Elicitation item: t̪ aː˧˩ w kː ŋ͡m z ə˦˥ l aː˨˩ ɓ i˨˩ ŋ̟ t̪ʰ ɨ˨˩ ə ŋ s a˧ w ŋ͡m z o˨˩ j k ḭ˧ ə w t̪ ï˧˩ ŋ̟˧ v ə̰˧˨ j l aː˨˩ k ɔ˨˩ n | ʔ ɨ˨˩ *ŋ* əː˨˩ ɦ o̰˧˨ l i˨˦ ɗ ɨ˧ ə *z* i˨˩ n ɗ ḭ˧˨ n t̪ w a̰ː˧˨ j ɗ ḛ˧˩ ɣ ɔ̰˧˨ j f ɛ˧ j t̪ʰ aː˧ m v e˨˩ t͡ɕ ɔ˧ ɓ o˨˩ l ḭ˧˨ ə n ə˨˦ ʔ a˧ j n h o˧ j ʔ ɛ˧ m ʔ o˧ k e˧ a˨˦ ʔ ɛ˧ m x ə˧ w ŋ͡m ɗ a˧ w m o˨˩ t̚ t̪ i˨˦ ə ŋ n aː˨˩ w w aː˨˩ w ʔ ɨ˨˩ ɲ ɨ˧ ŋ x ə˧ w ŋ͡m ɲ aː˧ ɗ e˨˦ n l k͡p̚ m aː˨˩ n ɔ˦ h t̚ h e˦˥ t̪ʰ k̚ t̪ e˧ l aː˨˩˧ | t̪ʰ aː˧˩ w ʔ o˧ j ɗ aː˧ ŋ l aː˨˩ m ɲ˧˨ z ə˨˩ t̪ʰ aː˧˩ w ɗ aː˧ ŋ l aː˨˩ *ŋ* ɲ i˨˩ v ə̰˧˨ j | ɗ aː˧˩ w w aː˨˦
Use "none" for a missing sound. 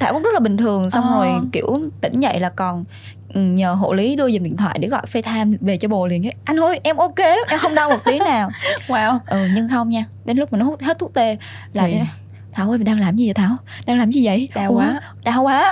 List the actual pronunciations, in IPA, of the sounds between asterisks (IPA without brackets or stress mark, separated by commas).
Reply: ɲ, z, m